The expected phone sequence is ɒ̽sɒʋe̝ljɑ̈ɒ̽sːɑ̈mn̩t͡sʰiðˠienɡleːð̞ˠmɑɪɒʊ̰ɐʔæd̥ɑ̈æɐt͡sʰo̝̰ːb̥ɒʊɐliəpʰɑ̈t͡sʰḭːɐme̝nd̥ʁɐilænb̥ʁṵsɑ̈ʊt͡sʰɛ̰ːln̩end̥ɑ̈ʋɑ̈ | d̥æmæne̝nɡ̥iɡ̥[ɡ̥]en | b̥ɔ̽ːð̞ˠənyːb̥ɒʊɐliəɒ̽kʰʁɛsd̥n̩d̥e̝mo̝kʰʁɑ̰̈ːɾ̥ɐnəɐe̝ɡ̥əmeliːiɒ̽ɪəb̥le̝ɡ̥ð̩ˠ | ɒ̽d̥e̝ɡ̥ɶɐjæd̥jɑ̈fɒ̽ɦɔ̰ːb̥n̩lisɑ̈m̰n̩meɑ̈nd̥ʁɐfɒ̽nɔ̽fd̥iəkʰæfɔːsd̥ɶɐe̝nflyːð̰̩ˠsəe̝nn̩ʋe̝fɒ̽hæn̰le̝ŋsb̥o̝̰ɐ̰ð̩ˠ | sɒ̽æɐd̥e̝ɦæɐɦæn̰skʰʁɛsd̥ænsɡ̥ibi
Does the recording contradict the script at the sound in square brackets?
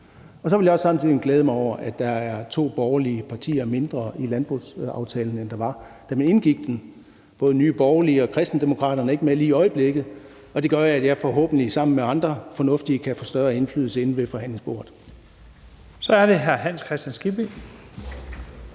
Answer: yes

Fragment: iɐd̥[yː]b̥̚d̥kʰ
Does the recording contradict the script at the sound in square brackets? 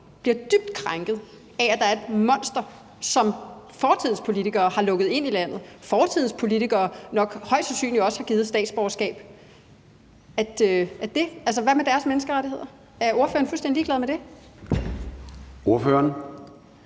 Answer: yes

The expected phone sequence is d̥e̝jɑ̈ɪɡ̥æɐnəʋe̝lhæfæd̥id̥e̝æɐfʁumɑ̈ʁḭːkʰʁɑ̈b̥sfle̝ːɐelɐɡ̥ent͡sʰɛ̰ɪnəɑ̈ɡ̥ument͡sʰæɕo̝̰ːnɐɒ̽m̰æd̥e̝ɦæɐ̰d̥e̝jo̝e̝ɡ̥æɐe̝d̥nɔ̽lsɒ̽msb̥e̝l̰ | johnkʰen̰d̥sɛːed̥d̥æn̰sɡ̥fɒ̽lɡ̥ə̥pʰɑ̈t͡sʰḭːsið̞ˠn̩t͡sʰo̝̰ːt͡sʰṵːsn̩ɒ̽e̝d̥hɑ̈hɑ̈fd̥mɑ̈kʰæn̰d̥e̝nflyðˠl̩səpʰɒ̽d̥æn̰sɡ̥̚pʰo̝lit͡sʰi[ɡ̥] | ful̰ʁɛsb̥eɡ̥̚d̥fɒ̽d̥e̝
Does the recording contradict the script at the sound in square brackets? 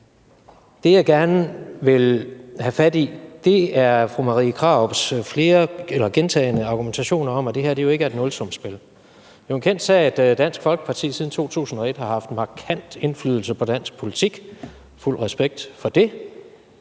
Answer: no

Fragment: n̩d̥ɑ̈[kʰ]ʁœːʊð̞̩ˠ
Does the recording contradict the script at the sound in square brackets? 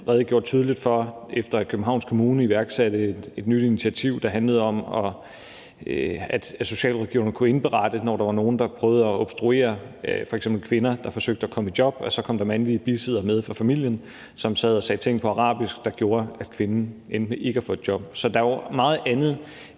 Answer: yes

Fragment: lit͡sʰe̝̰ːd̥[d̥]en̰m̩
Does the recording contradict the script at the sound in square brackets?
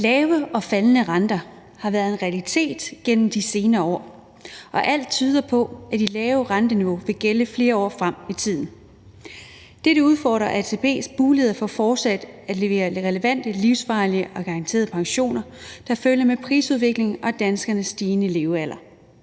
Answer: yes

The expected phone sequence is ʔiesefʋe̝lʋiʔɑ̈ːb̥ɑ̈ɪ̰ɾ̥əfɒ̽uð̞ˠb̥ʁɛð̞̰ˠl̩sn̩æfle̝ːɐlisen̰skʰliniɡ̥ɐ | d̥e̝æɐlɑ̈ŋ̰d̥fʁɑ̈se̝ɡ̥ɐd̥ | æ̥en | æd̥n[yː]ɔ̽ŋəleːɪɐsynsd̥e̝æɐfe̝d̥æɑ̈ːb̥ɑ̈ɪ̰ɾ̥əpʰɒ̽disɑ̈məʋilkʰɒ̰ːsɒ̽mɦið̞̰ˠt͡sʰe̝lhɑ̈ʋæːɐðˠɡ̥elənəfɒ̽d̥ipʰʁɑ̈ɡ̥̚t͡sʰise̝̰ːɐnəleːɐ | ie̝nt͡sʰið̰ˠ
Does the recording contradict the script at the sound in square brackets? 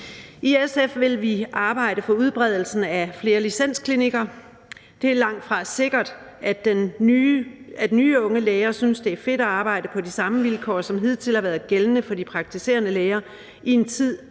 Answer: no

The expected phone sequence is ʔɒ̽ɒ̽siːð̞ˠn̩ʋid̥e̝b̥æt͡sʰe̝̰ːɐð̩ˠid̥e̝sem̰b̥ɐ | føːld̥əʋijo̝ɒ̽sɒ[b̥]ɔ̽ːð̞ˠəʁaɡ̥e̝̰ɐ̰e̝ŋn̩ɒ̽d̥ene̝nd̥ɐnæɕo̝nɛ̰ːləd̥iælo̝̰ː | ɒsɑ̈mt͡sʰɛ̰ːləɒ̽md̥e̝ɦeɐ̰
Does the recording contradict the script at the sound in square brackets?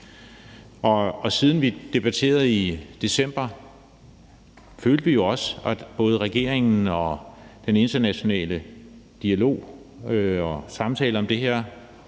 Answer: no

